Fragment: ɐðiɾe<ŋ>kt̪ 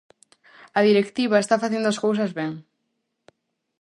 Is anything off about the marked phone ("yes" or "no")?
yes